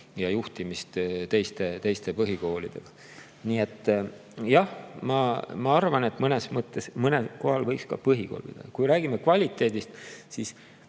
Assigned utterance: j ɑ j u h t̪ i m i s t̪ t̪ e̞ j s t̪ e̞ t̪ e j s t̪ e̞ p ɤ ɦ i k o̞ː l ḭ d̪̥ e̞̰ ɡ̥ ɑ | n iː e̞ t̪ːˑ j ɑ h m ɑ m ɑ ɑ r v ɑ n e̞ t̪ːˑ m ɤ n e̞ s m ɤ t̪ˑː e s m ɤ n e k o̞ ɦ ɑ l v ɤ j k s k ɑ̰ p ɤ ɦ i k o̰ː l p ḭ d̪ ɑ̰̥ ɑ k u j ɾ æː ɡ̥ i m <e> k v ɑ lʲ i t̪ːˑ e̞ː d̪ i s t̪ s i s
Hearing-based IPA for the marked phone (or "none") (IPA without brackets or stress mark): e